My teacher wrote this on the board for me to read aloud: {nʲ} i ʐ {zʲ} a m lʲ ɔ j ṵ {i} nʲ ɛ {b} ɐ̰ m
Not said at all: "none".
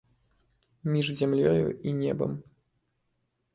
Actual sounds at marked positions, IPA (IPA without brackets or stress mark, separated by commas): mʲ, zʲ, i, b